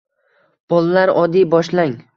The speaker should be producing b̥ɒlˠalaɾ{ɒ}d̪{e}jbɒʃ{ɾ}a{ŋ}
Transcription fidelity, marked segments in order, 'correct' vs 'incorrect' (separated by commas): correct, incorrect, incorrect, correct